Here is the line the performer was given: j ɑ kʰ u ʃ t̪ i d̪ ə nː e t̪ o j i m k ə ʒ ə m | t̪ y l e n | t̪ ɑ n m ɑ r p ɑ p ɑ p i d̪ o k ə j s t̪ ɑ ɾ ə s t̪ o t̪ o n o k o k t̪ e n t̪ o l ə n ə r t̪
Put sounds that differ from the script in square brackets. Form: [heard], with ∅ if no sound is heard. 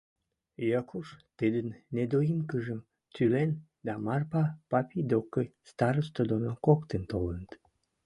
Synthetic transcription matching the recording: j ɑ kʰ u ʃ t̪ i d̪ ə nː e [d̪] o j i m k ə ʒ ə m | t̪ y l e n | [d̪] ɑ [∅] m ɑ r p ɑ p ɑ p i d̪ o k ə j s t̪ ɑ ɾ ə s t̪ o [d̪] o n o k o k t̪ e n t̪ o l ə n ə [∅] t̪